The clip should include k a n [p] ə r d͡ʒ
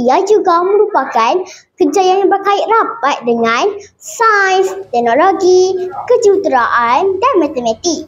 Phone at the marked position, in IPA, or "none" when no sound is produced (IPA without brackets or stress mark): k